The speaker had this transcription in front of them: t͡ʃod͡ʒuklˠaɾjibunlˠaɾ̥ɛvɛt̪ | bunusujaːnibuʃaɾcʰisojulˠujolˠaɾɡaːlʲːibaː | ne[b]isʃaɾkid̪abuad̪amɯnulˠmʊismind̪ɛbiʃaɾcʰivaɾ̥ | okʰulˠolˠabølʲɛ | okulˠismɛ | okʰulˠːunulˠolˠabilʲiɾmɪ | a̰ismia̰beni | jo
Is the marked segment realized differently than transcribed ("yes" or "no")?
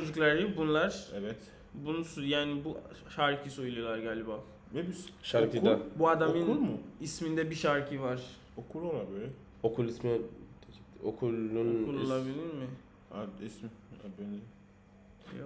no